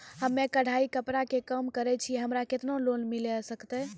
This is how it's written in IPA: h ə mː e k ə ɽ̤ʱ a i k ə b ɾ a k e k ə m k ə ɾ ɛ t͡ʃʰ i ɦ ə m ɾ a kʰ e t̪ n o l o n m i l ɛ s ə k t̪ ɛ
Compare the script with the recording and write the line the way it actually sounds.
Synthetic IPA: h ə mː e k ə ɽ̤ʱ a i k ə p ɾ a k e k ə m k ə ɾ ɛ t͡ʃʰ i ɦ ə m ɾ a k e t̪ n o l o n m i l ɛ s ə k t̪ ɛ